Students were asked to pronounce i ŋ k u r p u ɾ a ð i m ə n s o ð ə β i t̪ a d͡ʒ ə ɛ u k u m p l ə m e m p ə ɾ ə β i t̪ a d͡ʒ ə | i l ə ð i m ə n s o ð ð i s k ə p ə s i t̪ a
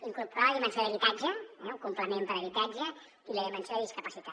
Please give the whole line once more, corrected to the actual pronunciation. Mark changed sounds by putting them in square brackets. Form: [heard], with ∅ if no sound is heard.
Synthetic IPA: i ŋ k u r p u ɾ a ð i m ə n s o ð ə β i t̪ a d͡ʒ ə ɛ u k u m p l ə m e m p ə ɾ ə β i t̪ a d͡ʒ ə | i l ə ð i m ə n s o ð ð i s k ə p ə s i t̪ a